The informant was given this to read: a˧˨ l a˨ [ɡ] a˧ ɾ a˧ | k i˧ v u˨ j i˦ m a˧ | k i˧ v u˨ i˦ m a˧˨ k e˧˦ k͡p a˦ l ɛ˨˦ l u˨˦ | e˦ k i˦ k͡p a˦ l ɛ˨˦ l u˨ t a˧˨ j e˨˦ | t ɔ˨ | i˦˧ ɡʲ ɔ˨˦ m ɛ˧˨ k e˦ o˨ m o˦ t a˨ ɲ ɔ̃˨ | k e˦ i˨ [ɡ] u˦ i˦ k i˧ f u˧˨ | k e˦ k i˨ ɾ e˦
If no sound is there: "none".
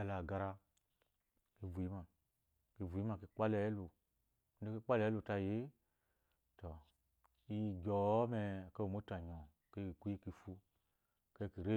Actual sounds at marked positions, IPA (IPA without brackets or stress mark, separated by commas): ɡ, k